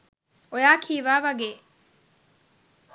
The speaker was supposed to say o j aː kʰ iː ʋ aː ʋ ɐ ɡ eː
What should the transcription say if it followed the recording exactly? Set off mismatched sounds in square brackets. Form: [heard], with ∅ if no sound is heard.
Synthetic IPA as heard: o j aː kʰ iː ʋ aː ʋ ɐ ɡ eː